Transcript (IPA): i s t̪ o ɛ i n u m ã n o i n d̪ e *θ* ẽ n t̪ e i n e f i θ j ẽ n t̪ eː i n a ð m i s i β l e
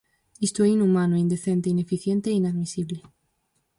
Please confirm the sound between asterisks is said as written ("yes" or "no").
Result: yes